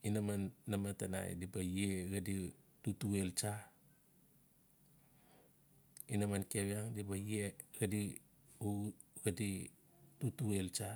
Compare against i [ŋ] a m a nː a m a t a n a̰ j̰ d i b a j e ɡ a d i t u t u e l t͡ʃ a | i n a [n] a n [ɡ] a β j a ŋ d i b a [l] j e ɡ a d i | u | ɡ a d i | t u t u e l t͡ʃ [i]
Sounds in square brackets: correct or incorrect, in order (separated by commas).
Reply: incorrect, incorrect, incorrect, incorrect, incorrect